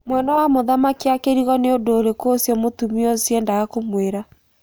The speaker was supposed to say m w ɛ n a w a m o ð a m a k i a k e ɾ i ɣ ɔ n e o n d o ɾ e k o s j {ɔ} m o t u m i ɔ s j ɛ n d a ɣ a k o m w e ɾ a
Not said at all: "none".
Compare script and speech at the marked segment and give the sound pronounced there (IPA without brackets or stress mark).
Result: ɔ